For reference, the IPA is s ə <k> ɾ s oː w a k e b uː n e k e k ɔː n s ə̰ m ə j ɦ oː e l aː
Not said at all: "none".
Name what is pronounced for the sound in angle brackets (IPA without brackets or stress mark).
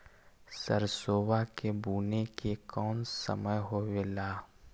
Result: none